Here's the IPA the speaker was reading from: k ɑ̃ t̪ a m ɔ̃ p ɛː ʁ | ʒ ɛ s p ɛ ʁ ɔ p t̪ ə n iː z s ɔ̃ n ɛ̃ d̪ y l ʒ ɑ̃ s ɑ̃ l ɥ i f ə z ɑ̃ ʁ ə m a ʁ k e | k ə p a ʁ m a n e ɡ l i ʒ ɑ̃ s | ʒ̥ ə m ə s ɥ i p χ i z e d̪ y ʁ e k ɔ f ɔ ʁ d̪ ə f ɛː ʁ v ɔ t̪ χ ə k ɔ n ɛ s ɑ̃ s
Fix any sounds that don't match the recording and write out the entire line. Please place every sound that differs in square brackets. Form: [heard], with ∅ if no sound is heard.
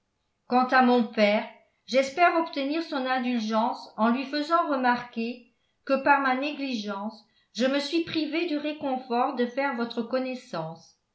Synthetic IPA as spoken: k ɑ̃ t̪ a m ɔ̃ p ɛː ʁ | ʒ ɛ s p ɛ ʁ ɔ p t̪ ə n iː [ʁ] s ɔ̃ n ɛ̃ d̪ y l ʒ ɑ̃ s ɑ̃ l ɥ i f ə z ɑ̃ ʁ ə m a ʁ k e | k ə p a ʁ m a n e ɡ l i ʒ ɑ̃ s | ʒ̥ ə m ə s ɥ i p χ i [v] e d̪ y ʁ e k [ɔ̃] f ɔ ʁ d̪ ə f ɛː ʁ v ɔ t̪ χ ə k ɔ n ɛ s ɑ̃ s